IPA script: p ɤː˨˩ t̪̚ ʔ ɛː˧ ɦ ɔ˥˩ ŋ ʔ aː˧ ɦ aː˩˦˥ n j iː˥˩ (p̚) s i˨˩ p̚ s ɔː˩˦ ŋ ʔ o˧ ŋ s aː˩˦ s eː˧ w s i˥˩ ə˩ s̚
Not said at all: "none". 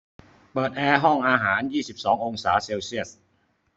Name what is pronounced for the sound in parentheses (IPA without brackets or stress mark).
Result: none